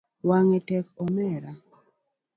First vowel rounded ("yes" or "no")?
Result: no